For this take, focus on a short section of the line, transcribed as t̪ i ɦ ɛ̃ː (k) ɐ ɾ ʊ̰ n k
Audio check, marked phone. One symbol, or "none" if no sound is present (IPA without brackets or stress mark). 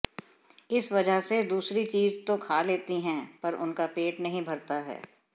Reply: p